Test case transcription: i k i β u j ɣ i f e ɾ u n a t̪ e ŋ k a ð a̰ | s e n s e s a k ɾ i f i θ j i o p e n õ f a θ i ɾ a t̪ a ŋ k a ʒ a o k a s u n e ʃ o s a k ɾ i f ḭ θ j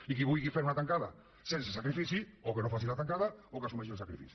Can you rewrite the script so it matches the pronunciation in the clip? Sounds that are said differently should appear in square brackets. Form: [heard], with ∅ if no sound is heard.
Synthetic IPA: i k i β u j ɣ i f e ɾ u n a t̪ [a] ŋ k a ð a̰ | s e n s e s a k ɾ i f i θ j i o [k] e n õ f a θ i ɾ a t̪ a ŋ k a [ð] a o k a s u [m] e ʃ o s a k ɾ i f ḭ θ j